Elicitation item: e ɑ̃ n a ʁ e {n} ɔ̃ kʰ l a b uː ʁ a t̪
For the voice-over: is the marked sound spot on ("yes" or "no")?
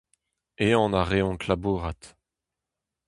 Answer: no